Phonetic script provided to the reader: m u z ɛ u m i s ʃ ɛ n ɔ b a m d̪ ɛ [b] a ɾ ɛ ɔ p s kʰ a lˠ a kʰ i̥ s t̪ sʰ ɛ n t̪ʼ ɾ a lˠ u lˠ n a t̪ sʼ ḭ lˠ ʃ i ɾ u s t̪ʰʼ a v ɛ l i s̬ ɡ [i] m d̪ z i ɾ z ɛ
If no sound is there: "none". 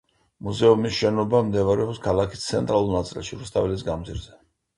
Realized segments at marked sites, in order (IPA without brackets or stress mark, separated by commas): v, a